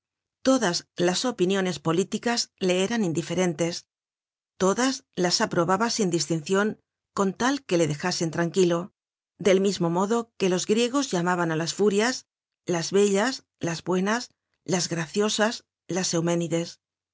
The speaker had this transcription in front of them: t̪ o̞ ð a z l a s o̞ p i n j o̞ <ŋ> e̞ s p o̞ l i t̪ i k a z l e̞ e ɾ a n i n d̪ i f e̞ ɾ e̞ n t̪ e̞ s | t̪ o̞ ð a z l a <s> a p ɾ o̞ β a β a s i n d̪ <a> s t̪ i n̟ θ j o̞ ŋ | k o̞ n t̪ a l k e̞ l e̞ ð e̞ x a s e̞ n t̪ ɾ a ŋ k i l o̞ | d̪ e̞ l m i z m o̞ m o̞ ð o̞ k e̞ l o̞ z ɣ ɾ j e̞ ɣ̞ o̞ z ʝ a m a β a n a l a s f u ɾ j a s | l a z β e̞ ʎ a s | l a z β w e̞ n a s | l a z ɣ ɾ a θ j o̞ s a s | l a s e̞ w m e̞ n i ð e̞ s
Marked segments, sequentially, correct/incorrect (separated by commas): incorrect, correct, incorrect